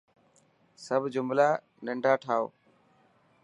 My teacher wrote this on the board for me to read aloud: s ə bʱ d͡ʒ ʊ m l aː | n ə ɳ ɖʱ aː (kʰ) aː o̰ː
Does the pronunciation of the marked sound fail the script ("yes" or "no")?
yes